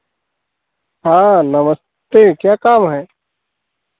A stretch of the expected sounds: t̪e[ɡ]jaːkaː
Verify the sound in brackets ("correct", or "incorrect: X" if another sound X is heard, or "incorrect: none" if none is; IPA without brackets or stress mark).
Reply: incorrect: k